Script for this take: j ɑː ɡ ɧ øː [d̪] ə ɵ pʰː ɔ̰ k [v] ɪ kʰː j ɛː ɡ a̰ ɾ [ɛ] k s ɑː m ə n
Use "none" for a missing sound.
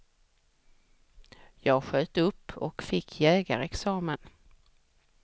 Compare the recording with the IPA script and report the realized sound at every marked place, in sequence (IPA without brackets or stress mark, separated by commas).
t̪, f, ɛ